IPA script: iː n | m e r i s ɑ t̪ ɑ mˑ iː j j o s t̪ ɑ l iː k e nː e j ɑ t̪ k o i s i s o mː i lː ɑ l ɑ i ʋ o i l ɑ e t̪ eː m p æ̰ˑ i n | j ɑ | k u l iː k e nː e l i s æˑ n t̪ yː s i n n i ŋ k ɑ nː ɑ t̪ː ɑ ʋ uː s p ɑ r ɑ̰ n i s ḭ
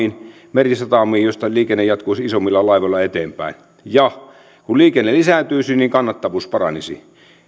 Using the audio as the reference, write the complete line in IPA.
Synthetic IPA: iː n | m e r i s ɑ t̪ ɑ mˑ iː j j o s t̪ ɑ l iː k e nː e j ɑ t̪ k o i s i s o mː i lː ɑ l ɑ i ʋ o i l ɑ e t̪ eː m p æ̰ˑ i n | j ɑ | k u l iː k e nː e l i s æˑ n t̪ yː s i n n i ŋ k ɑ nː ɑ t̪ː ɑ ʋ uː s p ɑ r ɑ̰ n i s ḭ

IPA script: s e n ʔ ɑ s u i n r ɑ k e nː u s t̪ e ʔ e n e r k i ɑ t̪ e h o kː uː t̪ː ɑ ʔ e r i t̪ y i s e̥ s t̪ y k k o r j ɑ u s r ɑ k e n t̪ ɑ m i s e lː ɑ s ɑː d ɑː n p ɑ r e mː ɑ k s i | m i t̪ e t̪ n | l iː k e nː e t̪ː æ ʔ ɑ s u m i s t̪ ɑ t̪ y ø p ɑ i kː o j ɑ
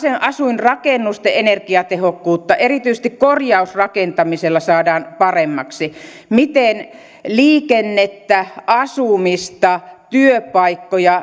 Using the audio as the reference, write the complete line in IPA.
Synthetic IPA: s e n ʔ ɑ s u i n r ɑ k e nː u s t̪ e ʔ e n e r k i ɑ t̪ e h o kː uː t̪ː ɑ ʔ e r i t̪ y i s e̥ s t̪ i k k o r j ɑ u s r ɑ k e n t̪ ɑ m i s e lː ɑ s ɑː d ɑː n p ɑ r e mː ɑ k s i | m i t̪ e n | l iː k e nː e t̪ː æ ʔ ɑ s u m i s t̪ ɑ t̪ y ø p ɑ i kː o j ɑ

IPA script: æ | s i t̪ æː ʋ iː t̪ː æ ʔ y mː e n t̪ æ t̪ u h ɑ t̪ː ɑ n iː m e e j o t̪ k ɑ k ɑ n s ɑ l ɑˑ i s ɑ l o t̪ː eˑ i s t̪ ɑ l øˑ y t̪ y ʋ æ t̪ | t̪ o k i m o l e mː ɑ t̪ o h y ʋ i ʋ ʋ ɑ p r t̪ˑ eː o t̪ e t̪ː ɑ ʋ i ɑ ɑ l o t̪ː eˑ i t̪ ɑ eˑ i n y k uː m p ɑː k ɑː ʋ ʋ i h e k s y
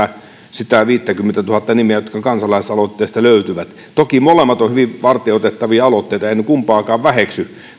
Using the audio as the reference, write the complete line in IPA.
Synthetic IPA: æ | s i t̪ æ ʋ iː t̪ː æ k y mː e n t̪ æ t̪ u h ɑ t̪ː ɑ n i m e æ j o t̪ k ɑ k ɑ n s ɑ l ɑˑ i s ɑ l o t̪ː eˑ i s t̪ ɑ l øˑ y t̪ y ʋ æ t̪ | t̪ o k i m o l e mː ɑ t̪ o h y ʋ i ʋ ʋ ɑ r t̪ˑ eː o t̪ e t̪ː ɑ ʋ i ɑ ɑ l o t̪ː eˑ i t̪ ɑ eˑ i n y k u m p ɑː k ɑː ʋ ʋ æ h e k s y

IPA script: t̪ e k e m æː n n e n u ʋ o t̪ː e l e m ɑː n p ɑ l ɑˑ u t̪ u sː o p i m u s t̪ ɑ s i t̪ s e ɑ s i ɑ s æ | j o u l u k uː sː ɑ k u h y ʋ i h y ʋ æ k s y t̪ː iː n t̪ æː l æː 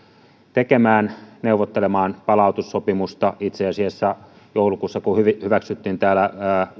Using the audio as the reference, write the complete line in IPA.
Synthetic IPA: t̪ e k e m æː n n e u ʋ o t̪ː e l e m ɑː n p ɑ l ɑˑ u t̪ u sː o p i m u s t̪ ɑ i t̪ s e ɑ s i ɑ sː æ | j o u l u k uː sː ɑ k u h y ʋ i h y ʋ æ k s y t̪ː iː n t̪ æː l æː

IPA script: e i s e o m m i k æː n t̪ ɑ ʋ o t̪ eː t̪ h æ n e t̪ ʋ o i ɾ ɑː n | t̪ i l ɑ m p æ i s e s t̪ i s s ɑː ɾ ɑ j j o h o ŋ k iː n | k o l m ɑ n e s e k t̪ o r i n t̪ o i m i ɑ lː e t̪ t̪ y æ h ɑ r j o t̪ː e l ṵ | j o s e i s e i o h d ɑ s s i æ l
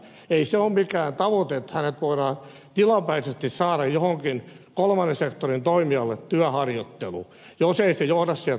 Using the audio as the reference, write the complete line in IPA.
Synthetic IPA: e i s e o m m i k æː n t̪ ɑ ʋ o t̪ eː t̪ h æ n e t̪ ʋ o i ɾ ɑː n | t̪ i l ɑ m p æ i s e s t̪ i s s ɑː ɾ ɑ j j o h o ŋ k i n | k o l m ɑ n e s e k t̪ o r i n t̪ o i m i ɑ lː e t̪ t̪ y æ h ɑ r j o t̪ː e l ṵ | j o s e i s e j o h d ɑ s s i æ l

